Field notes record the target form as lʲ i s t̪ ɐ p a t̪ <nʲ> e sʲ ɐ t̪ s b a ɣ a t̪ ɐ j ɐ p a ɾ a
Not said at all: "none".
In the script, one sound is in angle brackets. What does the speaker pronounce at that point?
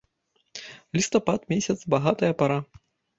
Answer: mʲ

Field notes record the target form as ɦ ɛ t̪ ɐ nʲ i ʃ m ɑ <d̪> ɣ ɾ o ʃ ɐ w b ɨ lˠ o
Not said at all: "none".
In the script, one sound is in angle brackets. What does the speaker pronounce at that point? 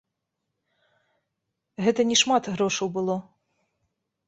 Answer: t̪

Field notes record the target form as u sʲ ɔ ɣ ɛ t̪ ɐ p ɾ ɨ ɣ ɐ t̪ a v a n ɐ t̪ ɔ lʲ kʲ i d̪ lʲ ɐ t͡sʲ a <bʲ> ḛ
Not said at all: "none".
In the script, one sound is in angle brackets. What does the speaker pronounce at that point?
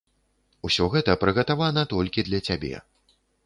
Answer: bʲ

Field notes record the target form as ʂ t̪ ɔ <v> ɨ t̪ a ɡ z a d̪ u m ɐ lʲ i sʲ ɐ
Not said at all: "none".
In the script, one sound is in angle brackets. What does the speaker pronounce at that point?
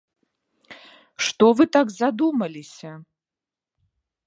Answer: v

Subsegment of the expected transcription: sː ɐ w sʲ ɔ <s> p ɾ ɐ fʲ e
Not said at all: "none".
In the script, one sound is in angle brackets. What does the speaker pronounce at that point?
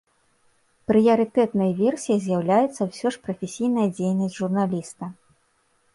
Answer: ʂ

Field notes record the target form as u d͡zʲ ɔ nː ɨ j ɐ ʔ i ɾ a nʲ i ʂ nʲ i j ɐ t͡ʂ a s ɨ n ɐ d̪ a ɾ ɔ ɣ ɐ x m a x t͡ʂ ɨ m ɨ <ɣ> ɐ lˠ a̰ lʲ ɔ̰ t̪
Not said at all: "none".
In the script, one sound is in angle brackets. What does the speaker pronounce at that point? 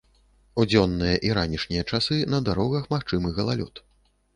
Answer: ɣ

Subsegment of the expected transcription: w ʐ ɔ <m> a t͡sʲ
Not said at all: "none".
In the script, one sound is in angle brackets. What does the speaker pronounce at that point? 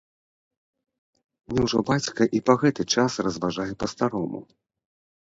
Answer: b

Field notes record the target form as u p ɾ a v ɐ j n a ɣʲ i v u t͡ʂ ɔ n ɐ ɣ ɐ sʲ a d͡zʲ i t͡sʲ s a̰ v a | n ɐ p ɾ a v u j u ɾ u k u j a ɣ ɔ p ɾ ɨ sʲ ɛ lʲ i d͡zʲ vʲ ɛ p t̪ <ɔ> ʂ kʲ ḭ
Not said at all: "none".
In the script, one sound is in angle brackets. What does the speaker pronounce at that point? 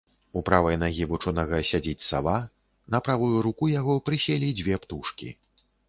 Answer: u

